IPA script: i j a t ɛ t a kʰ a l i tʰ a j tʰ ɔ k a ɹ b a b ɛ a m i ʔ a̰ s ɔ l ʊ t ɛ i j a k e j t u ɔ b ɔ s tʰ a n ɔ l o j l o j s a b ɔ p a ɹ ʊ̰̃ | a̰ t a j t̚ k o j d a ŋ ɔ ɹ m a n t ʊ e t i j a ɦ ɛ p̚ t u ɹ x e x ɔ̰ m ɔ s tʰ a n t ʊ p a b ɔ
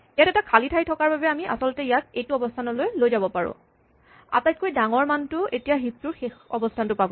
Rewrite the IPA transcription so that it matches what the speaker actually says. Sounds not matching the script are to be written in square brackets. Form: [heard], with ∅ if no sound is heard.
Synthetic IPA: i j a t ɛ t a kʰ a l i tʰ a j tʰ ɔ k a ɹ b a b ɛ a m i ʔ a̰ s ɔ l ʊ t ɛ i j a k e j t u ɔ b ɔ s tʰ a n ɔ l o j l o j [z] a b ɔ p a ɹ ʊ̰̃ | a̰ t a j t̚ k o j d a ŋ ɔ ɹ m a n t ʊ e t i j a ɦ [i] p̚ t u ɹ x e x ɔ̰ [b] ɔ s tʰ a n t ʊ p a b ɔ

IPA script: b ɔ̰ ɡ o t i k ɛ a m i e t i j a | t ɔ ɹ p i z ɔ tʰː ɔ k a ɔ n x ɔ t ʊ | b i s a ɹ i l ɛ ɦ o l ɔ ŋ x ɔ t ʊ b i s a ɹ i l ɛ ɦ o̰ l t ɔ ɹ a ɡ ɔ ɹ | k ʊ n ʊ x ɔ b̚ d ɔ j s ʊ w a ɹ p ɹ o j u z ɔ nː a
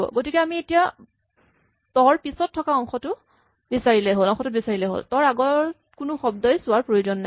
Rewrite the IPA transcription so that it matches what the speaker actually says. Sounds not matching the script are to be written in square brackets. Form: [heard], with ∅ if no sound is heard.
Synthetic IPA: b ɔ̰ ɡ o t i k ɛ a m i e t i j a | t ɔ ɹ p i [s] ɔ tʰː ɔ k a ɔ [ŋ] x ɔ t ʊ | b i s a ɹ i l ɛ ɦ o l ɔ ŋ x ɔ t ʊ b i s a ɹ i l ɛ ɦ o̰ l t ɔ ɹ a ɡ ɔ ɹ | k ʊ n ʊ x ɔ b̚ d ɔ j s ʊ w a ɹ p ɹ o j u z ɔ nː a

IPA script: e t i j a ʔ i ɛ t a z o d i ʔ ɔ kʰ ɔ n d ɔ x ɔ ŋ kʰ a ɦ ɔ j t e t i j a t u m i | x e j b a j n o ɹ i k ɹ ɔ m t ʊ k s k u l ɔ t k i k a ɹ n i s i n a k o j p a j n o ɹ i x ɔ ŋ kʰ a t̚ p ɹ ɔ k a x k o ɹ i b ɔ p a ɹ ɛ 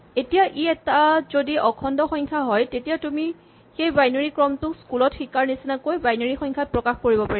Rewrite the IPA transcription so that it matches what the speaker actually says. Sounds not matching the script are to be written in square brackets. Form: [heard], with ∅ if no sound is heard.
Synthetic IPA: e t i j a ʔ i ɛ t a z o d i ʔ ɔ kʰ ɔ n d ɔ x ɔ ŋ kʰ a ɦ ɔ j t e t i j a t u m i | x e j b a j n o ɹ i k ɹ ɔ m t ʊ k s k u l ɔ t [x] i k a ɹ n i s i n a k o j [b] a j n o ɹ i x ɔ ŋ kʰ a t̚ p ɹ ɔ k a x k o ɹ i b ɔ p a ɹ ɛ

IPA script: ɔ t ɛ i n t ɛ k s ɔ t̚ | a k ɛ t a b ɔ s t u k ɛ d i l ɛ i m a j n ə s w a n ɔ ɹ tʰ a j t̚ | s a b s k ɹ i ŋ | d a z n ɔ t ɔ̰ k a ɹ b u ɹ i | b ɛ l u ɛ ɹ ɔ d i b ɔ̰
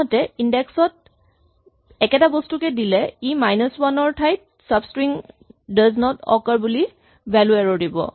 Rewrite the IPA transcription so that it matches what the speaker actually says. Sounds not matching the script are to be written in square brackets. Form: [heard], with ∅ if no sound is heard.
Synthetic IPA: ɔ t ɛ i n [d] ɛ k s ɔ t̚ | [ɛ] k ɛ t a b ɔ s t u k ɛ d i l ɛ i m a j n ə s w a n ɔ ɹ tʰ a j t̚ | s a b s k ɹ i ŋ | d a z n ɔ t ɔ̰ k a ɹ b u [l] i | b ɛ l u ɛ ɹ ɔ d i b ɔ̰

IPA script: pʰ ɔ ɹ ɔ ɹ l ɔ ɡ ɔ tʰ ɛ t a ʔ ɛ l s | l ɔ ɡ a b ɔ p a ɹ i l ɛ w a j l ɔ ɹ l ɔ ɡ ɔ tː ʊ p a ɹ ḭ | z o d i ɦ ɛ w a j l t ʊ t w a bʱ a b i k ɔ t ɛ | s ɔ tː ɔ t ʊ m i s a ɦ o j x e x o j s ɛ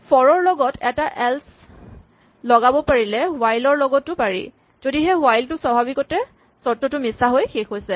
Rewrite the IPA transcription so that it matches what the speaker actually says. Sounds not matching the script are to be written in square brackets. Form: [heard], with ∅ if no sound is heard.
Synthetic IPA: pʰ ɔ ɹ ɔ ɹ l ɔ ɡ ɔ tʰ ɛ t a ʔ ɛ l s | l ɔ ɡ a b ɔ p a ɹ i l ɛ w a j l ɔ ɹ l ɔ ɡ ɔ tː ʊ p a ɹ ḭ | z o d i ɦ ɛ w a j l t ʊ [s] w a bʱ a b i k ɔ t ɛ | s ɔ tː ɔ t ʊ m i s a ɦ o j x e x o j s ɛ

